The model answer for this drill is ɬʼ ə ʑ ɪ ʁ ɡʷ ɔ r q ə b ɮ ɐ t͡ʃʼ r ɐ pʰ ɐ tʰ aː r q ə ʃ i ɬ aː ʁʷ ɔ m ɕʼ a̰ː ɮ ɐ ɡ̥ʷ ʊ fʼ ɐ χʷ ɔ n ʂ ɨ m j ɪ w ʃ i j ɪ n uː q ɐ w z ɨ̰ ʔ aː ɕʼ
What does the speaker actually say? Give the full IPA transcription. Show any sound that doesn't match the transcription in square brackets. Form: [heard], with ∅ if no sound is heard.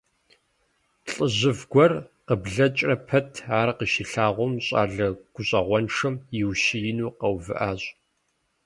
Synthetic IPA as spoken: ɬʼ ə ʑ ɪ [v] ɡʷ ɔ r q ə b ɮ ɐ t͡ʃʼ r ɐ pʰ ɐ tʰ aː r q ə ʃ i ɬ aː ʁʷ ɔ m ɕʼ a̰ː ɮ ɐ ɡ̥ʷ ʊ [ɕʼ] ɐ [ʁʷ] ɔ n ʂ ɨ m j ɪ w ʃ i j ɪ n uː q ɐ w [v] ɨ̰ ʔ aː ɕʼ